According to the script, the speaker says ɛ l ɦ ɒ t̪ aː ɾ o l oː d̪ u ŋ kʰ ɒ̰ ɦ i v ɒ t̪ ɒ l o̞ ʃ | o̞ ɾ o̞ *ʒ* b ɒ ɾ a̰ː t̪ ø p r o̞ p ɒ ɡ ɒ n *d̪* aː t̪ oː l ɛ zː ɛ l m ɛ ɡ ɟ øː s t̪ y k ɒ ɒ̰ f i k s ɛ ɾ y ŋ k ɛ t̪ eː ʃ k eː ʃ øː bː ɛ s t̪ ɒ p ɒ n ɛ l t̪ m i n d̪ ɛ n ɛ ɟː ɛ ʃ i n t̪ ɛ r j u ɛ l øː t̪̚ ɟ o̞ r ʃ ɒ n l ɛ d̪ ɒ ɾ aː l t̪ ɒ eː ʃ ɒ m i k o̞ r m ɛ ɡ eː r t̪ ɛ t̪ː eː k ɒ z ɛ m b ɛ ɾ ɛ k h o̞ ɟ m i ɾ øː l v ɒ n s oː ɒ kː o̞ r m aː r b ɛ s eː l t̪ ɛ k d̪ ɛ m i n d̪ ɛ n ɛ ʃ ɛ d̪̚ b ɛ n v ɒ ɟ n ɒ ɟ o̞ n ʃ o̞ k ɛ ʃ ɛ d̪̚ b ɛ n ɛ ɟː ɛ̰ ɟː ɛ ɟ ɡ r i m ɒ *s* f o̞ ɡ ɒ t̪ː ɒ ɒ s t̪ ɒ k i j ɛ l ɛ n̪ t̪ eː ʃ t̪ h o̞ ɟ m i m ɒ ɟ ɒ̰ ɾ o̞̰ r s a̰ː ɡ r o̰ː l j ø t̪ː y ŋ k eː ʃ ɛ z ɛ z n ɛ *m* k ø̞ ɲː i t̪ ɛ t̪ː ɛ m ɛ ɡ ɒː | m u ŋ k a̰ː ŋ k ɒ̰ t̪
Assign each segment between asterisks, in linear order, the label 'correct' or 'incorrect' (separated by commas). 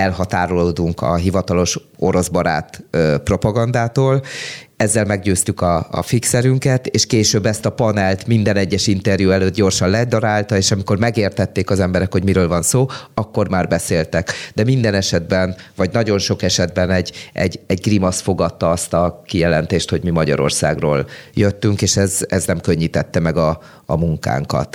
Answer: incorrect, correct, correct, correct